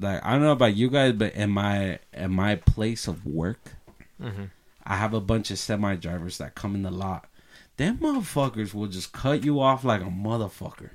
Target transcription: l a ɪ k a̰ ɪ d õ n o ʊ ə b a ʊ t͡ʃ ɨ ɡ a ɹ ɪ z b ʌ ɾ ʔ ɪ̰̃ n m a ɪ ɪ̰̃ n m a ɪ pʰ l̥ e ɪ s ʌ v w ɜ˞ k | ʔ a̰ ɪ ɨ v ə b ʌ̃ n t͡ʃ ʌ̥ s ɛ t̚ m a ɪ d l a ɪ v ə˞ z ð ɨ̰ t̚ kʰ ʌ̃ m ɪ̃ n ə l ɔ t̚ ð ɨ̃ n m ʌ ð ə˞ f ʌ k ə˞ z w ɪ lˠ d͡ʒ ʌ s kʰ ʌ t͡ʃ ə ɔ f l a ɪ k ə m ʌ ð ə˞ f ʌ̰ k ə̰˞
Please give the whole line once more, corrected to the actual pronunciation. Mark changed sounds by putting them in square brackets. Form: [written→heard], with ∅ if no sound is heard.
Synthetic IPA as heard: l a ɪ k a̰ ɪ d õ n o ʊ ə b a ʊ t͡ʃ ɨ ɡ a [ɹ→∅] ɪ z b ʌ ɾ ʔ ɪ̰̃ n m a ɪ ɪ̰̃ n m a ɪ pʰ l̥ e ɪ s ʌ v w ɜ˞ k | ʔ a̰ ɪ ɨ v ə b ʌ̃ n t͡ʃ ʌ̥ s ɛ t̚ m a ɪ d [l→ɹ] a ɪ v ə˞ z ð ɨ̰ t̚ kʰ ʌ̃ m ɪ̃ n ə l ɔ t̚ ð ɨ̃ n m ʌ ð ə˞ f ʌ k ə˞ z w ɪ lˠ d͡ʒ ʌ s kʰ ʌ t͡ʃ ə ɔ f l a ɪ k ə m ʌ ð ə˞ f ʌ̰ k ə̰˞